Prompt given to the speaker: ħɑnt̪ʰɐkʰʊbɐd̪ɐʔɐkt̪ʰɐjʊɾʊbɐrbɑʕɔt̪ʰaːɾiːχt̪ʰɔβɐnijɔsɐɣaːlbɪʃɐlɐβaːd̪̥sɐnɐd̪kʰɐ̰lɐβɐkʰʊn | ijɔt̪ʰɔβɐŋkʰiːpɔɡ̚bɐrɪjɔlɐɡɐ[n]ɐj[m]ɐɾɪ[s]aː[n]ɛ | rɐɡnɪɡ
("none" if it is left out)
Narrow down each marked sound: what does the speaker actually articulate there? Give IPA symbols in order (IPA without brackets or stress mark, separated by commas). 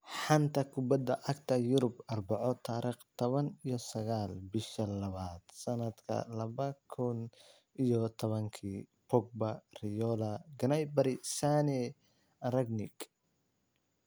n, b, s, n